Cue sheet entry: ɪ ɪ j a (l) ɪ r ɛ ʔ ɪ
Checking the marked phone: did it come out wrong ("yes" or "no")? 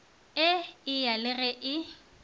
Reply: no